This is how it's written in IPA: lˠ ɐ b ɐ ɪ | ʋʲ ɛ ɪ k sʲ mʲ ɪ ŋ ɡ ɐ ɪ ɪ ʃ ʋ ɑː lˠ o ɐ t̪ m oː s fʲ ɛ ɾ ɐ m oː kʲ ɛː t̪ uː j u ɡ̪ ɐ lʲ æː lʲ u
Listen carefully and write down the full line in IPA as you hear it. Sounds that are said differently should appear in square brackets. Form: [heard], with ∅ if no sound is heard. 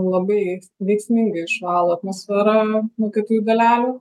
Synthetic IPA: lˠ ɐ b ɐ ɪ | ʋʲ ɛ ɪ k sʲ mʲ ɪ ŋ ɡ ɐ ɪ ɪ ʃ ʋ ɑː lˠ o ɐ t̪ m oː s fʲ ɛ ɾ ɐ m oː kʲ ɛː t̪ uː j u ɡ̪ ɐ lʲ æː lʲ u